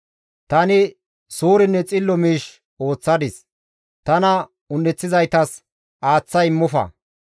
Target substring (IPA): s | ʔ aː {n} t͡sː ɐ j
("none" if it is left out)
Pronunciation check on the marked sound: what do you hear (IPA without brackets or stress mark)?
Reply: none